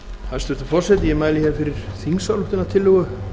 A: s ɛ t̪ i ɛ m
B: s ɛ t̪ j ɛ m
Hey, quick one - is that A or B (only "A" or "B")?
B